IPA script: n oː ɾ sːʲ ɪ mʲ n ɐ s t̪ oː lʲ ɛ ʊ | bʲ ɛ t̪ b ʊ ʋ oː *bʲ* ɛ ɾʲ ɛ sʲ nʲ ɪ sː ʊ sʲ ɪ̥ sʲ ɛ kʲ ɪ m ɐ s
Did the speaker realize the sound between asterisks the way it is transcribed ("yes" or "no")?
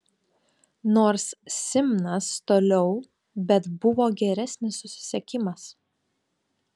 no